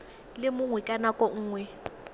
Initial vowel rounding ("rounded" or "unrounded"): unrounded